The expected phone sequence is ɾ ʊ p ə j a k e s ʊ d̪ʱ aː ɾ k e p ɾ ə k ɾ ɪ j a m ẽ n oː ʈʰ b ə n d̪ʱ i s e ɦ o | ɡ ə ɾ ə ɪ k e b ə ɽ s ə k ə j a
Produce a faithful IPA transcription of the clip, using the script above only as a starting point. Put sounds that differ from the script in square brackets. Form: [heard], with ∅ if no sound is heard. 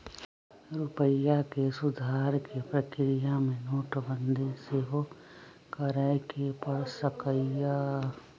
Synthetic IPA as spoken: ɾ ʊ p ə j a k e s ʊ d̪ʱ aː ɾ k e p ɾ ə k ɾ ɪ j a m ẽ n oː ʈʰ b ə n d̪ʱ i s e ɦ o | [k] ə ɾ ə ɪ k e [p] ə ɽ s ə k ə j a